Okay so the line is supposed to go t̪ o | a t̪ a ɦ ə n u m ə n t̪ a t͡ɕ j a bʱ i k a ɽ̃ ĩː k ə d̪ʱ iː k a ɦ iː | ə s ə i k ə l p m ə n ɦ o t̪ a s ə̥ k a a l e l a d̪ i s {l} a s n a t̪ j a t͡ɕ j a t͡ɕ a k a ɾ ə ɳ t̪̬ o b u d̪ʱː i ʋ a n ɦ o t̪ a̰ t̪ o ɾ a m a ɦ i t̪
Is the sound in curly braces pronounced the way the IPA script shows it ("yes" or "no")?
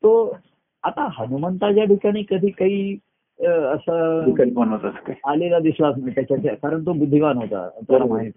yes